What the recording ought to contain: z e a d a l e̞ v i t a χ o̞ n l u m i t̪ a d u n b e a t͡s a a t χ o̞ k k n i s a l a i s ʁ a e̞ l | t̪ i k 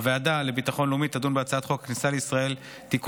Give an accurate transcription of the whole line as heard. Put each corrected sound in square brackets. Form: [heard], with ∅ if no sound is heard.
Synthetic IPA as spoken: [v] e a d a l e̞ [b] i t a χ o̞ n l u m i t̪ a d u n b e a t͡s a a t χ o̞ k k n i s a l [e] i s ʁ a e̞ l | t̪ i k

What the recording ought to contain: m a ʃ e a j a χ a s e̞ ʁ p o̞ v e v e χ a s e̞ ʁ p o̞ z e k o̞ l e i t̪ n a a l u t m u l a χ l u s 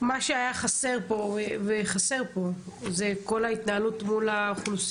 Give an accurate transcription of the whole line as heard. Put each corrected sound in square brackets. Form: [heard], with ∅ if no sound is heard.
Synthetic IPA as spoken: m a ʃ e a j a χ a s e̞ ʁ p o̞ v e v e χ a s e̞ ʁ p o̞ z e k o̞ l [a] i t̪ n a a l u t m u l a χ l u s

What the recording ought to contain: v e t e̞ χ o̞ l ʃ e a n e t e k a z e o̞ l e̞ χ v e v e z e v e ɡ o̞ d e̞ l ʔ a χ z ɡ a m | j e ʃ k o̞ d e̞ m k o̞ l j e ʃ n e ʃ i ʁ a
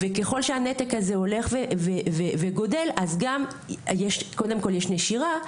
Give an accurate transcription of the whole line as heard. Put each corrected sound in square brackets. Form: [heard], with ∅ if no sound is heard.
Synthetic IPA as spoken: v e [k] e̞ χ o̞ l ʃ e a n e t e k a z e o̞ l e̞ χ v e v e [v] e v e ɡ o̞ d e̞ l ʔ a [∅] z ɡ a m | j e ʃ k o̞ d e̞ m k o̞ l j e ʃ n e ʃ i ʁ a

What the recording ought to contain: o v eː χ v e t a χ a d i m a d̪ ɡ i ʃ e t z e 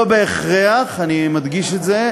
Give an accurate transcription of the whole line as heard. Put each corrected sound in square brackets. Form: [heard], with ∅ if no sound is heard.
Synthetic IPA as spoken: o [b] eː χ [ʁ] e [∅] a χ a [n] i m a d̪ ɡ i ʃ e t z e

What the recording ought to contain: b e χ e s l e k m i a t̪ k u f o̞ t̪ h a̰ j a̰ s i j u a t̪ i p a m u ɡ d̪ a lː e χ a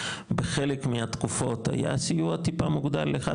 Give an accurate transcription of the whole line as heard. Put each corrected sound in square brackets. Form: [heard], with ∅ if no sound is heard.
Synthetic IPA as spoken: b e χ e [∅] l e k m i a t̪ k u f o̞ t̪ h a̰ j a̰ s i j u a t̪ i p a m u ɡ d̪ a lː e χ a

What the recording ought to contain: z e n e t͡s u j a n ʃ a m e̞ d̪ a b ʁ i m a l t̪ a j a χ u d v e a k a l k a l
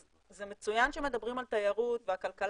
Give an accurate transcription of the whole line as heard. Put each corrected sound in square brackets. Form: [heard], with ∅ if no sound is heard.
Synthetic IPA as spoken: z e [m] e t͡s u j a n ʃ [e] m e̞ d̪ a b ʁ i m a l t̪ a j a [ʁ] u [t] v e a k a l k a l

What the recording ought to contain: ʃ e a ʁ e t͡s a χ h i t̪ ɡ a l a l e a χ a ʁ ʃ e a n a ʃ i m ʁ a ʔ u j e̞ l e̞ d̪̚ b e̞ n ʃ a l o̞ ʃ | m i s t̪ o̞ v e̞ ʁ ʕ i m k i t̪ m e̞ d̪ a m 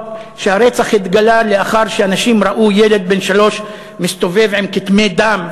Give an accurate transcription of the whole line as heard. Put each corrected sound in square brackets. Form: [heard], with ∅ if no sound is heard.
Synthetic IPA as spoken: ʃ e a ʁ e t͡s a χ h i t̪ ɡ a l a l e a χ a ʁ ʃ e a n a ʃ i m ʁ a ʔ u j e̞ l e̞ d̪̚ b e̞ n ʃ a l o̞ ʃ | m i s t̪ o̞ v e̞ [v] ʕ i m k i t̪ m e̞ d̪ a m

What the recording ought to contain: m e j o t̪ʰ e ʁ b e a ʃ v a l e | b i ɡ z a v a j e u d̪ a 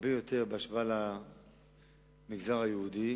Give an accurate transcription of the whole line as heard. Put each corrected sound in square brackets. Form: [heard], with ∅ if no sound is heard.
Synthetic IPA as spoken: [b] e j o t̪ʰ e ʁ b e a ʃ v a l [a] | [m] i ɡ z a [ʁ] a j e u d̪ [i]

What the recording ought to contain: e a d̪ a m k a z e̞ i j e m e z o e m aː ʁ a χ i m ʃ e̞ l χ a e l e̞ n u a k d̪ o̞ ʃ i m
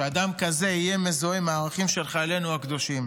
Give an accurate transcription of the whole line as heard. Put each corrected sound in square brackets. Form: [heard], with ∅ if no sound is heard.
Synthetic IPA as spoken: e a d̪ a m k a z e̞ i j e m e z o e m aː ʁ a χ i m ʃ e̞ l χ a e l e̞ n u a k d̪ o̞ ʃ i m

